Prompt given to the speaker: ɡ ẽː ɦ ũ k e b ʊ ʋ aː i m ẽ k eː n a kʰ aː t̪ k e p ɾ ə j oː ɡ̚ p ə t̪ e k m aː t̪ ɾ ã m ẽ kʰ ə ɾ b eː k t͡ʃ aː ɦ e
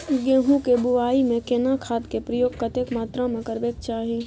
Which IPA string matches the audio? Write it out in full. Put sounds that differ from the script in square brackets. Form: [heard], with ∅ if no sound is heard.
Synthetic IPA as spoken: ɡ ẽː ɦ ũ k e b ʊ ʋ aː i m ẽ k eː n a kʰ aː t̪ k e p ɾ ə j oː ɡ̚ [k] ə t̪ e k m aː t̪ ɾ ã m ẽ [k] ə ɾ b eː k t͡ʃ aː ɦ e